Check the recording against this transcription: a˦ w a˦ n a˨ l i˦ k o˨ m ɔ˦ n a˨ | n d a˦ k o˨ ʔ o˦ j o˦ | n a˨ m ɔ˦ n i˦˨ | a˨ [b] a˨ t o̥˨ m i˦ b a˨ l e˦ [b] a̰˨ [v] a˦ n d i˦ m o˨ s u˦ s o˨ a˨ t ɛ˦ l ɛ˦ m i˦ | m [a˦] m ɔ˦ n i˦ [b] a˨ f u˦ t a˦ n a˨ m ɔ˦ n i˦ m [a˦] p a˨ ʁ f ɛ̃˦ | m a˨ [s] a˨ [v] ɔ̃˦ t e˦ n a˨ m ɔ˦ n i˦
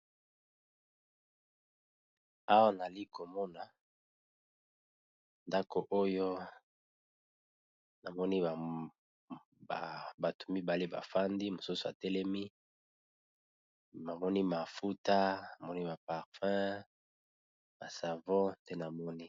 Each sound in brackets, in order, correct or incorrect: correct, correct, incorrect, incorrect, incorrect, incorrect, correct, correct

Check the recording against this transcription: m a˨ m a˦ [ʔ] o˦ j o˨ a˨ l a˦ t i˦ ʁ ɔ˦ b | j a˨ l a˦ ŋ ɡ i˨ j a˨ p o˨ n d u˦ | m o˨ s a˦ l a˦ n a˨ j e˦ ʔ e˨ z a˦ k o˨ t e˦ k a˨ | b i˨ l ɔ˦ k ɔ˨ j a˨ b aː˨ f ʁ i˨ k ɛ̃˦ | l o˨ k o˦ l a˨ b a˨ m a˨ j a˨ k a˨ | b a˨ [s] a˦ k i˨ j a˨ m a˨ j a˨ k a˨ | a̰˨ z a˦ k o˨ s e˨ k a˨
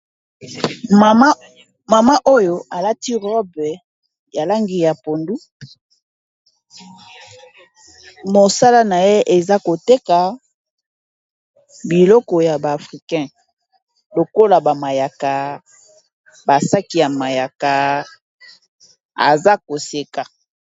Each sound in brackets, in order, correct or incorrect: correct, correct

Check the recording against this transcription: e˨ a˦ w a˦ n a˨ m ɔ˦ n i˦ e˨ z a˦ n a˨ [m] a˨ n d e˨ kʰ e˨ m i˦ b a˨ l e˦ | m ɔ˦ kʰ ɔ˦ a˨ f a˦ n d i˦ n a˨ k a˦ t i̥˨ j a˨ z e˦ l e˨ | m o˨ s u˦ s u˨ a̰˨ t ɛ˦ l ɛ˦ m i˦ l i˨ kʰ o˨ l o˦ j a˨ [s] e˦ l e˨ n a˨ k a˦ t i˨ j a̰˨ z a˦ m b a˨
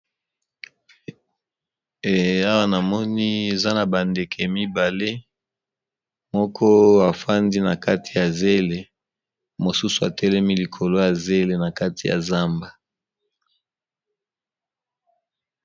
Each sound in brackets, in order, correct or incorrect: incorrect, incorrect

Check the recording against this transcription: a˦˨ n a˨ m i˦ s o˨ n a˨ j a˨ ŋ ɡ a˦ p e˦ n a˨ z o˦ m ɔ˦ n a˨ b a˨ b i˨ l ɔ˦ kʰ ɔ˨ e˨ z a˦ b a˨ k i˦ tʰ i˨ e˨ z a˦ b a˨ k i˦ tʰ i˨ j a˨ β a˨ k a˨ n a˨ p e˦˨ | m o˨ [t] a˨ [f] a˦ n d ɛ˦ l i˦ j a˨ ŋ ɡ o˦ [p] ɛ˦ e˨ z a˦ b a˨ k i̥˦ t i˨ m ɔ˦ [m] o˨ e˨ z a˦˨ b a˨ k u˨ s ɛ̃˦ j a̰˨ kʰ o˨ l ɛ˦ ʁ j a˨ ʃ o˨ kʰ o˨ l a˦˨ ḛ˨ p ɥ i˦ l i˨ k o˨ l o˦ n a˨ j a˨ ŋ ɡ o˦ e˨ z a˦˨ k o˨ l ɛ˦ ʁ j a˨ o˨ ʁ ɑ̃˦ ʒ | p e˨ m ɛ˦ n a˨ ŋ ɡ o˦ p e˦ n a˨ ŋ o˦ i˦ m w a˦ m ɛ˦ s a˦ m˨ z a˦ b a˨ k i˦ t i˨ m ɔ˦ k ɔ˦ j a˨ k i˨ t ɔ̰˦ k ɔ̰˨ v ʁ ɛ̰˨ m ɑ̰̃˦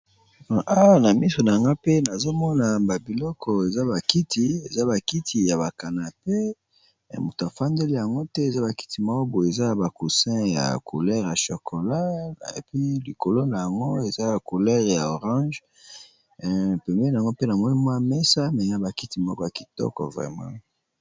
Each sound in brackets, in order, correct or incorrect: correct, correct, incorrect, incorrect

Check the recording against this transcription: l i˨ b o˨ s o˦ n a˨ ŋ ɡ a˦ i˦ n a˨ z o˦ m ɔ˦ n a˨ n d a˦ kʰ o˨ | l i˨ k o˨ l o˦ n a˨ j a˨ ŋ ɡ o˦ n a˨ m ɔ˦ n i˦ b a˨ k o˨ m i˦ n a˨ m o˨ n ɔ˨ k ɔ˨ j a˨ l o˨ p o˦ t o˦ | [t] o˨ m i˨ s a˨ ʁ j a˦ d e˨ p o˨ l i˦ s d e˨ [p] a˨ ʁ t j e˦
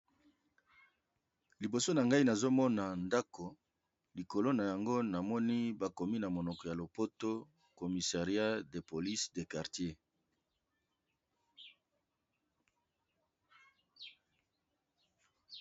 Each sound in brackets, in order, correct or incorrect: incorrect, incorrect

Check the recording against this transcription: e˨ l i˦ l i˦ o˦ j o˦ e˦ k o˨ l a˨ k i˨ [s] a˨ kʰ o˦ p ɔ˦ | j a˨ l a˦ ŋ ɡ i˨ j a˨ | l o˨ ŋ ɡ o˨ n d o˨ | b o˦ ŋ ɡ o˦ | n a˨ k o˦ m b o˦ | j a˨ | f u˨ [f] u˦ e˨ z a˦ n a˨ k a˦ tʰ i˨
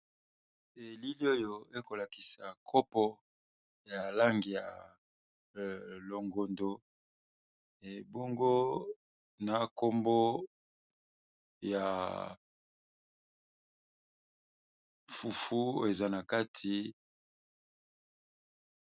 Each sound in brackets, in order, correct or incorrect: correct, correct

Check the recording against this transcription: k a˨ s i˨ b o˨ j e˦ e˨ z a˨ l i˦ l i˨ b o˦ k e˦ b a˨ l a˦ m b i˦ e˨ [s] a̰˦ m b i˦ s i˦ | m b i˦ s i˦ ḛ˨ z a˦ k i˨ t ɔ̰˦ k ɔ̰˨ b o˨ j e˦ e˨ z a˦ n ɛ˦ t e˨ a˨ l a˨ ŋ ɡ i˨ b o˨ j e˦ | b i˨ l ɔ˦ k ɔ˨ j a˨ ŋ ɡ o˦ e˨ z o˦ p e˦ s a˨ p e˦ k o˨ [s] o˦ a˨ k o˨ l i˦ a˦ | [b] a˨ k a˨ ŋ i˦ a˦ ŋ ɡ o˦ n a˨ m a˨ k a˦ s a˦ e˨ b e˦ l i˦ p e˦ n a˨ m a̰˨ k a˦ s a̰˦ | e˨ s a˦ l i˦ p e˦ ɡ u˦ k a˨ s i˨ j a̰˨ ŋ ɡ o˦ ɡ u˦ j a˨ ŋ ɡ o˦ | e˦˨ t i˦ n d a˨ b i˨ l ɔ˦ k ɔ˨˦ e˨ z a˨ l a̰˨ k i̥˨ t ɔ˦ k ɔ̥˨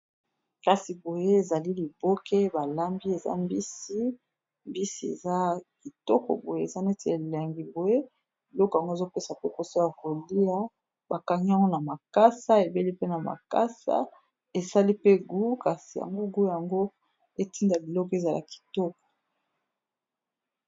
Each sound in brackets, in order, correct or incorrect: incorrect, correct, correct

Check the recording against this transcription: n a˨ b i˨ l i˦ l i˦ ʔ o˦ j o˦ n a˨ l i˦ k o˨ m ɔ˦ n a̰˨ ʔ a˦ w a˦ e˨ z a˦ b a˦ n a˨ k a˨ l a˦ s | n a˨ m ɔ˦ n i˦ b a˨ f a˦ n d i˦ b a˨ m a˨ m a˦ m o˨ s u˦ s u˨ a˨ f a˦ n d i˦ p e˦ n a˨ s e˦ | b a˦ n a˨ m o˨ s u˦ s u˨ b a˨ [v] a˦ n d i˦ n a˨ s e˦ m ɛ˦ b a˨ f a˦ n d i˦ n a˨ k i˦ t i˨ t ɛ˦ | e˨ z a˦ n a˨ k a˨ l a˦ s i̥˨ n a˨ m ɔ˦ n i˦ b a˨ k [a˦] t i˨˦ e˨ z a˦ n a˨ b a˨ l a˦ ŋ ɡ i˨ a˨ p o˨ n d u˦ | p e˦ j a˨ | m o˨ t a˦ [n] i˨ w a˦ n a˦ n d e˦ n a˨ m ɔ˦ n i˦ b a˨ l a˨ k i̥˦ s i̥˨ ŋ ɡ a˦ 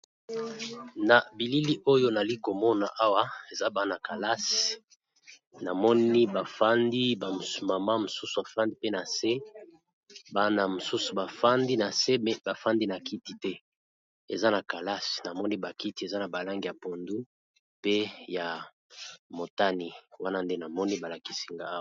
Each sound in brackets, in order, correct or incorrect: incorrect, incorrect, correct

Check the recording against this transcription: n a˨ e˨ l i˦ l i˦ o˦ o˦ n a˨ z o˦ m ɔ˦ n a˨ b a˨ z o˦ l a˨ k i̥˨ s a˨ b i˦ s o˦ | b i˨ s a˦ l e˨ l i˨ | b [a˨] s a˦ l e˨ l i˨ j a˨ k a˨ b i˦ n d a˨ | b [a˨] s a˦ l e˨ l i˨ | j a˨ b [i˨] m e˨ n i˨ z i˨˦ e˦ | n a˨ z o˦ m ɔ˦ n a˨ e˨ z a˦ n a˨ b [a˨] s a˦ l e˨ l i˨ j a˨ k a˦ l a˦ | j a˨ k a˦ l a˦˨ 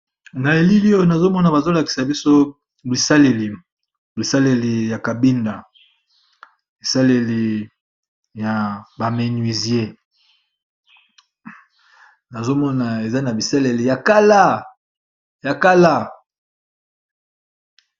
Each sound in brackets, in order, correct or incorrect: incorrect, incorrect, incorrect, incorrect

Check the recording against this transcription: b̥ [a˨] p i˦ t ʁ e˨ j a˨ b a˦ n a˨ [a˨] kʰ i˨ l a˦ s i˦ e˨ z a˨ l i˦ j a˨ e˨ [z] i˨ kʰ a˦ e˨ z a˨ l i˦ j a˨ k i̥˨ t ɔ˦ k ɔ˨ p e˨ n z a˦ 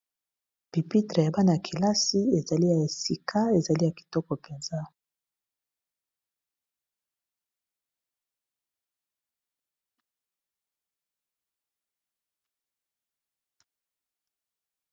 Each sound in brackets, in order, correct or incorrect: incorrect, correct, incorrect

